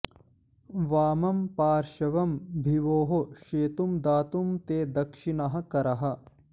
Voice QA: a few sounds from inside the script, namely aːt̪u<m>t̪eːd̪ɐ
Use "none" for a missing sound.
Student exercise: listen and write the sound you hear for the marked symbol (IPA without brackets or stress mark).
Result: m